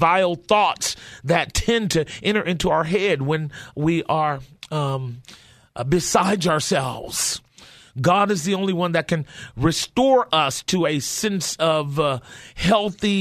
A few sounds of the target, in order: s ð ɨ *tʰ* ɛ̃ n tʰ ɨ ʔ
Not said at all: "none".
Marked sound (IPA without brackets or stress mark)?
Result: tʰ